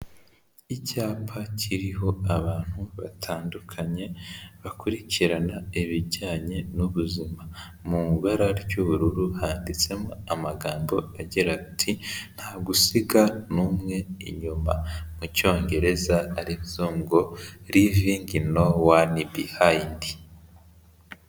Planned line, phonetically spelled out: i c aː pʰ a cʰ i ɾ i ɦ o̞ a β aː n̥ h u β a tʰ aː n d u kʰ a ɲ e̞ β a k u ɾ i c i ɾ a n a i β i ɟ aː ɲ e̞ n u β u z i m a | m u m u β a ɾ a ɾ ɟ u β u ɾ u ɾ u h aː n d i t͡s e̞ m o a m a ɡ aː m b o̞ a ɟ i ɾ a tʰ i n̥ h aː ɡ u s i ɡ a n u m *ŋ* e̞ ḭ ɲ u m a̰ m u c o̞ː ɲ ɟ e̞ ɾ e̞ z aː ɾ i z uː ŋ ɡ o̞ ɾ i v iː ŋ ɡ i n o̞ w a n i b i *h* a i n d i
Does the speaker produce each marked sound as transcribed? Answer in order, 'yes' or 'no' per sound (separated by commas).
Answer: yes, yes